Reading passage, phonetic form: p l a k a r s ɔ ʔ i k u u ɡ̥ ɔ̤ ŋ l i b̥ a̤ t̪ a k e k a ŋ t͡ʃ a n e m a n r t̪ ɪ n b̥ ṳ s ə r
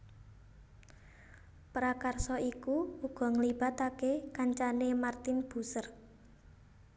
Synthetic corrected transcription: p ɾ a k a r s ɔ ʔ i k u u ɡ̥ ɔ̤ ŋ l i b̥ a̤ t̪ a k e k a ɲ t͡ʃ a n e m a r t̪ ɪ n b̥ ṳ s ə r

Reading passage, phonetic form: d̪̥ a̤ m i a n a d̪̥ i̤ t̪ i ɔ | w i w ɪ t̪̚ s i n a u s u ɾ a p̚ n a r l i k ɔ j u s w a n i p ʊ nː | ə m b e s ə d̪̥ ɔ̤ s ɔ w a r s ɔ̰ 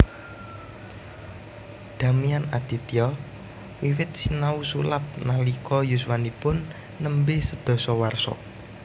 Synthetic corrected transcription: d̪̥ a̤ m i a n a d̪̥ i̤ t̪ i ɔ | w i w ɪ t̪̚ s i n a u s u l a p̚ n a l i k ɔ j u s w a n i p ʊ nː | ə m b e s ə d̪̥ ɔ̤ s ɔ w a r s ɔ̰

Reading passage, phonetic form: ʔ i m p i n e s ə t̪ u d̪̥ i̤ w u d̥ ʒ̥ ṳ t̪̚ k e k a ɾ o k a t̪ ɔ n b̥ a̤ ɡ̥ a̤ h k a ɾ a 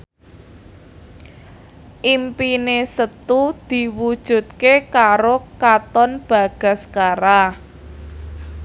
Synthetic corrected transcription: ʔ i m p i n e s ə t̪ u d̪̥ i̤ w u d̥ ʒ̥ ṳ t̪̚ k e k a ɾ o k a t̪ ɔ n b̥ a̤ ɡ̥ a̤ s k a ɾ a

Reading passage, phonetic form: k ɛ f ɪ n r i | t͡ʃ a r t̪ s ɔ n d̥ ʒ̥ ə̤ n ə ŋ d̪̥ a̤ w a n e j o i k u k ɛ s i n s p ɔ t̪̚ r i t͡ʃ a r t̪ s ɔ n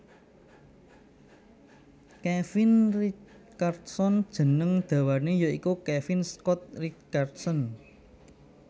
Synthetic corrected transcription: k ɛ f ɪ n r i | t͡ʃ a r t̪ s ɔ n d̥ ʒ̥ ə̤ n ə ŋ d̪̥ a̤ w a n e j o i k u k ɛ f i n s k ɔ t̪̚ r i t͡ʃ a r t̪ s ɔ n

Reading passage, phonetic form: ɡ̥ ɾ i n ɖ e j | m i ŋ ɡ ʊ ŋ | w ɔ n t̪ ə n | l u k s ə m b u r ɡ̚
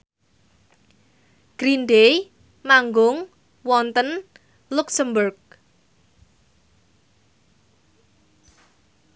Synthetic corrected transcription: ɡ̥ ɾ i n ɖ e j | m a ŋ ɡ ʊ ŋ | w ɔ n t̪ ə n | l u k s ə m b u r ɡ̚

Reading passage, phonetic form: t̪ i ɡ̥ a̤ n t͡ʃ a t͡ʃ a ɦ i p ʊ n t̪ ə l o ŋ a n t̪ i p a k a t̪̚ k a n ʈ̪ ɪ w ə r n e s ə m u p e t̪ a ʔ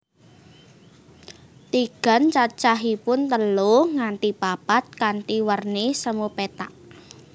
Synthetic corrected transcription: t̪ i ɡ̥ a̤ n t͡ʃ a t͡ʃ a ɦ i p ʊ n t̪ ə l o ŋ a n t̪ i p a p a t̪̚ k a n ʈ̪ i w ə r n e s ə m u p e t̪ a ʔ

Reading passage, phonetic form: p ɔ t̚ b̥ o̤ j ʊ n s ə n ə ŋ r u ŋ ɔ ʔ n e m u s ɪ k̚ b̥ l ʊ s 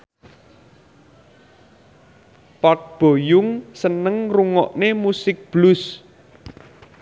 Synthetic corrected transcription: p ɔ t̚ b̥ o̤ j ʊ ŋ s ə n ə ŋ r u ŋ ɔ ʔ n e m u s ɪ k̚ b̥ l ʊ s

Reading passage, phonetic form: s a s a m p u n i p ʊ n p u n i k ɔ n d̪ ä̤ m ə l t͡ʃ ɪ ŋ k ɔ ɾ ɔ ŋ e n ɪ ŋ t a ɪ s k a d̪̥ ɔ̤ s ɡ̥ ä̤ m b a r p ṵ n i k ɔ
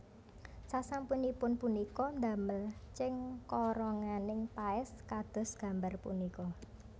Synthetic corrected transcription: s a s a m p u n i p ʊ n p u n i k ɔ n d̪ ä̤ m ə l t͡ʃ ɪ ŋ k ɔ ɾ ɔ ŋ a n ɪ ŋ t a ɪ s k a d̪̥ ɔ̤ s ɡ̥ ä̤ m b a r p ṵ n i k ɔ

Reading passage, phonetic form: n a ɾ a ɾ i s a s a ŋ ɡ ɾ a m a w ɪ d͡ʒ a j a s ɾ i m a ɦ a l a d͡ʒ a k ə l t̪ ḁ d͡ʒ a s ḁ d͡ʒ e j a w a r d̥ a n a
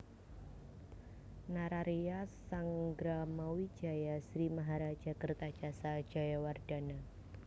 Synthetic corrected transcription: n a ɾ a ɾ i a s a ŋ ɡ ɾ a m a w i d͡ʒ a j a s ɾ i m a ɦ a ɾ a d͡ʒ a k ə r t̪ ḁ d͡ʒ a s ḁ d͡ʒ a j a w a r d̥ a n a

